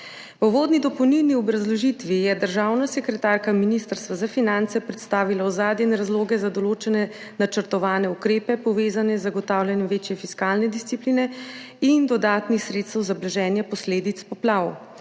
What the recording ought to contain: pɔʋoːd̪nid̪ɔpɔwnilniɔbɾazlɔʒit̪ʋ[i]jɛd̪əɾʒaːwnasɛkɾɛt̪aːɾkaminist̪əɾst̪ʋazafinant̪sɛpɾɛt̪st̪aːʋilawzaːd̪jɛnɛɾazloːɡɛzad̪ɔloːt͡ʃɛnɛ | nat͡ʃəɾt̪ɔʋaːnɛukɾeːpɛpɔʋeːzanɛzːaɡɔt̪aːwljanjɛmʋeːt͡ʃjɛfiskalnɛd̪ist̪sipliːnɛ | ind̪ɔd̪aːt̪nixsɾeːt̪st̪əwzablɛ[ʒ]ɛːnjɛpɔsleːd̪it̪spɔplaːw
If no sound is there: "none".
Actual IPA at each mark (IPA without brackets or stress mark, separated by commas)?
i, ʒ